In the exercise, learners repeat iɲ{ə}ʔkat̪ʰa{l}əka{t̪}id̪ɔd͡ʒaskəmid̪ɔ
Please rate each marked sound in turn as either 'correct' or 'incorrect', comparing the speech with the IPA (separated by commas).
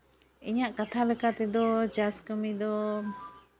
incorrect, correct, correct